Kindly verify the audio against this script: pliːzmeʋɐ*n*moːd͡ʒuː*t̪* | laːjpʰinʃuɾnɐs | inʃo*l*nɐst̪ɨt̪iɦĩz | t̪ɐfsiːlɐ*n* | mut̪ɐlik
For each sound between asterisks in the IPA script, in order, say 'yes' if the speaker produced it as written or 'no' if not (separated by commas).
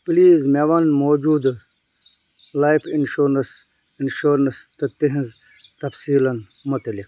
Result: yes, no, no, yes